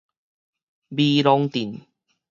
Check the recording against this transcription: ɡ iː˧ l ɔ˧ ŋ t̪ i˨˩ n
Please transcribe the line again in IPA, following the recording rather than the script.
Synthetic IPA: b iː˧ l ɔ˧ ŋ t̪ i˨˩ n